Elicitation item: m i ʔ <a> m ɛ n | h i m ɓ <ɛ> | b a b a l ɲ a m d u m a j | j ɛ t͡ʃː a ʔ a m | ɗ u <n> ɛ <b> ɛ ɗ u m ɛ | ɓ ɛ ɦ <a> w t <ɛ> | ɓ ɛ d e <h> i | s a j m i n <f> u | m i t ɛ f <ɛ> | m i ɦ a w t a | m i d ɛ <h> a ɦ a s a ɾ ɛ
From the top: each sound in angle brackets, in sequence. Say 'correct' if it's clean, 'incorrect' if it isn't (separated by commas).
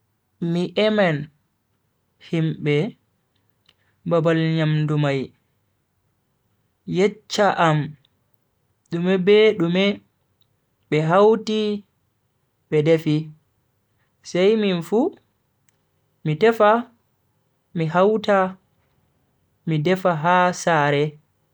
incorrect, correct, incorrect, correct, correct, incorrect, incorrect, correct, incorrect, incorrect